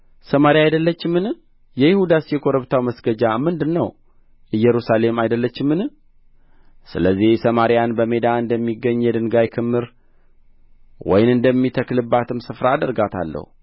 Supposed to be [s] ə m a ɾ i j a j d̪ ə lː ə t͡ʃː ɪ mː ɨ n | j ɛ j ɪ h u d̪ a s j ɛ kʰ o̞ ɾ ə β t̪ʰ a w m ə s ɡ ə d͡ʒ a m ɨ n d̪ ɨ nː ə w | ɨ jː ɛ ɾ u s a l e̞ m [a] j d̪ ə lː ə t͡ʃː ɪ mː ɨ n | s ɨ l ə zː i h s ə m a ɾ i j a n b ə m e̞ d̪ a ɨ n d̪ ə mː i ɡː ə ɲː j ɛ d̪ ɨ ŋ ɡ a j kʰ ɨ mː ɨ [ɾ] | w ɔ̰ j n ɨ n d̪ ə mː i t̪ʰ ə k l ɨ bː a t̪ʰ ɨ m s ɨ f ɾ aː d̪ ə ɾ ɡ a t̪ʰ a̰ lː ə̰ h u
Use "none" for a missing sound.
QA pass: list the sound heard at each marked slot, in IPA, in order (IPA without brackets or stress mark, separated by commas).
s, a, ɾ